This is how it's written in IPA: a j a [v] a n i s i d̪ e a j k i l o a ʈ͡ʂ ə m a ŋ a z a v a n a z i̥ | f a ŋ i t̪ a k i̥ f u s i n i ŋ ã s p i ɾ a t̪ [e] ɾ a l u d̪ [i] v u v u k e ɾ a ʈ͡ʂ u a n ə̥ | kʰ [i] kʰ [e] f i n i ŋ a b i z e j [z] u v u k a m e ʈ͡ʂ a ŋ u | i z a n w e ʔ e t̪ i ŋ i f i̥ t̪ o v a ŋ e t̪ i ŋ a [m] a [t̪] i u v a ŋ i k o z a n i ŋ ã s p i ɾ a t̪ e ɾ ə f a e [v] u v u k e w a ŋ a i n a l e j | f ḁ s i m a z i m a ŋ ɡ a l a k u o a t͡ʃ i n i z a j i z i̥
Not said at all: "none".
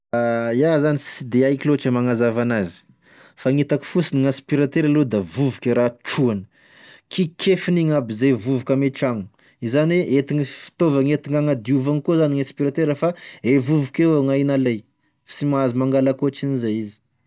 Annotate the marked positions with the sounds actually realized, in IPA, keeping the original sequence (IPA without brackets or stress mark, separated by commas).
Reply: z, e, a, i, e, v, ŋ, d̪, v